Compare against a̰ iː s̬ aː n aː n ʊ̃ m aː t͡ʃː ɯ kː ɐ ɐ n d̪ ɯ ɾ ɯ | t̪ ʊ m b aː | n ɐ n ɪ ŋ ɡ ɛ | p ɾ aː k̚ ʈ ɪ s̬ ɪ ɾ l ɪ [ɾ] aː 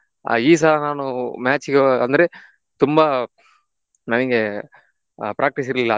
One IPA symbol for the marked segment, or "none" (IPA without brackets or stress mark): l